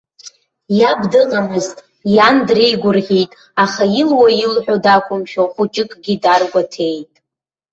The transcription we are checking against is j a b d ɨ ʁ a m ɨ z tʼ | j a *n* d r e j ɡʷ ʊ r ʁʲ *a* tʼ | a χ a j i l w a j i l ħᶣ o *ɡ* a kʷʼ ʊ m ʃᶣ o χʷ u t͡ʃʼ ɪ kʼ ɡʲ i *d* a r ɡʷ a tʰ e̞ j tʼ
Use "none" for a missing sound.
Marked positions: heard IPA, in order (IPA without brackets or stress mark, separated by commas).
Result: n, i, d, d